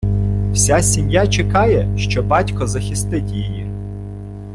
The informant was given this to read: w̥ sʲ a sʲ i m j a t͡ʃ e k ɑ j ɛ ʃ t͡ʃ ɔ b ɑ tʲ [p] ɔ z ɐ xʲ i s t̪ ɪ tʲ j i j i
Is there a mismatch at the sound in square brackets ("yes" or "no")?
yes